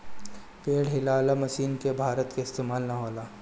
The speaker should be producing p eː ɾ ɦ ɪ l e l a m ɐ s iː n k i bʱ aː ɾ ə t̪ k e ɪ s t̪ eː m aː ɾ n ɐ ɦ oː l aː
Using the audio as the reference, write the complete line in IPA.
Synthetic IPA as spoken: p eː ɽ ɦ ɪ l a l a m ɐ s iː n k e bʱ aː ɾ ə t̪ k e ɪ s t̪ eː m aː l n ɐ ɦ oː l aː